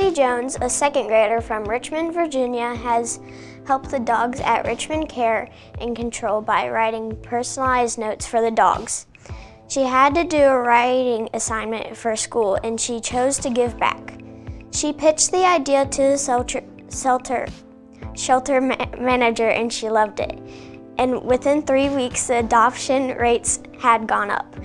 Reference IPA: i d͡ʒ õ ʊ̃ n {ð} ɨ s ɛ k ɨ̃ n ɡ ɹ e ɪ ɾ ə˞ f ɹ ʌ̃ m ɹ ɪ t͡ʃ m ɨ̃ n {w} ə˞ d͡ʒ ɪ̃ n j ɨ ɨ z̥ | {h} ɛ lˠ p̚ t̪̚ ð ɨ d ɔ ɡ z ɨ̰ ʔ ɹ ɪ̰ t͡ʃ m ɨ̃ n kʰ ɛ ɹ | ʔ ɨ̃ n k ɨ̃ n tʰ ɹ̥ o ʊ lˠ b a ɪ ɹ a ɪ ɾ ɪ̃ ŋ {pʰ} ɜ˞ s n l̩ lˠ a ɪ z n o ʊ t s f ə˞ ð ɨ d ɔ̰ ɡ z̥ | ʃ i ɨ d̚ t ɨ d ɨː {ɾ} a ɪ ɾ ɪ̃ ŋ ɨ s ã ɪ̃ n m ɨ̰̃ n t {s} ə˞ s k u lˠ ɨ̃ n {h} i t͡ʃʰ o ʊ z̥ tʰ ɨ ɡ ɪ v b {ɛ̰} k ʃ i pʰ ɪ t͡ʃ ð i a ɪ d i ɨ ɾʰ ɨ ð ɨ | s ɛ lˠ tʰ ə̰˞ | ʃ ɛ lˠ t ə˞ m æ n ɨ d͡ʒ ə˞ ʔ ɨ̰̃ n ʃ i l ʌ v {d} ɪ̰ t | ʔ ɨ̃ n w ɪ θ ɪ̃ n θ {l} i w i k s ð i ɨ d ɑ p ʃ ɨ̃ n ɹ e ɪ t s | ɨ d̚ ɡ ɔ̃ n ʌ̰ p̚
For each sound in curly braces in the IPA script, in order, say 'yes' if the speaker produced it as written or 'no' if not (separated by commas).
no, no, yes, yes, no, no, no, no, yes, no